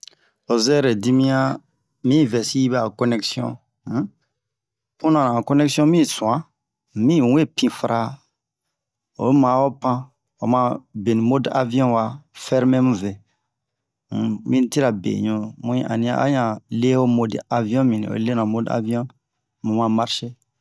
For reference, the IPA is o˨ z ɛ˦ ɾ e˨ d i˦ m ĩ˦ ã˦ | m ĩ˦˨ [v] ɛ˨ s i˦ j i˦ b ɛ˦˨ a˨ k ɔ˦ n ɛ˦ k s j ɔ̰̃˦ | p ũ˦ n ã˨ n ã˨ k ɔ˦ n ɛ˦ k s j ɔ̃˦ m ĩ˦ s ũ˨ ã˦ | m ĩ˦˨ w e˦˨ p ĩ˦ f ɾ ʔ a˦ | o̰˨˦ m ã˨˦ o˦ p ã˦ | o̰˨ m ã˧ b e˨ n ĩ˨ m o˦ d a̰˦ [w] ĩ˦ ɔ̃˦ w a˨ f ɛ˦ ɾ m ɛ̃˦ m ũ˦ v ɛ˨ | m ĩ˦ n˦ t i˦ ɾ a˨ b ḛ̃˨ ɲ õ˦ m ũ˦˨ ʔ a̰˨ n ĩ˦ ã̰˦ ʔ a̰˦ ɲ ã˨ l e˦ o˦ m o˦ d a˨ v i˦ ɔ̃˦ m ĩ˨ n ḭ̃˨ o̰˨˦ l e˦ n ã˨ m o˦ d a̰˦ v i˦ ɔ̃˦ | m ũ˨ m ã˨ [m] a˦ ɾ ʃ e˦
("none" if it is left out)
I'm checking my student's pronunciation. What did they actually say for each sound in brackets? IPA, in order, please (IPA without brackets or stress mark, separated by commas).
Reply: v, v, m